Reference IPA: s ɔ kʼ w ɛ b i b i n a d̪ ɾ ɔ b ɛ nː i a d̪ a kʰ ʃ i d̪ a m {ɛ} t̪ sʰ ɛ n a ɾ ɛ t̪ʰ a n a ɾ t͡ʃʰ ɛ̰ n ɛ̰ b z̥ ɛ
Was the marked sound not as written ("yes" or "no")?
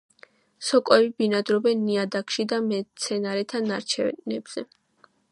no